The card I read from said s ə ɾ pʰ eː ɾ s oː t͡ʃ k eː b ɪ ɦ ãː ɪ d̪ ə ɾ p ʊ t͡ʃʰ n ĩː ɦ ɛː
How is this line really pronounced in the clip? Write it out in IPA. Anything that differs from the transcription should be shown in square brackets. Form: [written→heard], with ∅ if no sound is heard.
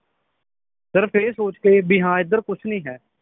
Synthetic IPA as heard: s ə ɾ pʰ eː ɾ s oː t͡ʃ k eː b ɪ ɦ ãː ɪ d̪ ə ɾ [p→k] ʊ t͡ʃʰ n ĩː ɦ ɛː